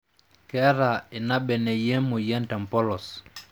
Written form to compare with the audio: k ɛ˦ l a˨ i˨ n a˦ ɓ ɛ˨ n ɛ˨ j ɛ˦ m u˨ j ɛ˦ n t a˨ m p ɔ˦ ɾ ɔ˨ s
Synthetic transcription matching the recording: k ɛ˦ ɾ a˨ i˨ n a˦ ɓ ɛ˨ n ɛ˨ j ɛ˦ m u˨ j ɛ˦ n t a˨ m p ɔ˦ l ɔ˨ s